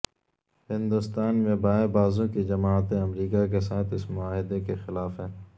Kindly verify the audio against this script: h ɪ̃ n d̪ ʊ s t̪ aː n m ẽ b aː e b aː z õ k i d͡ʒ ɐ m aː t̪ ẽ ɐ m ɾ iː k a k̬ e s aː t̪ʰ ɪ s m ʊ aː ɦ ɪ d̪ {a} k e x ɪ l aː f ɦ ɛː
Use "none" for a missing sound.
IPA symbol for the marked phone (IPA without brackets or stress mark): e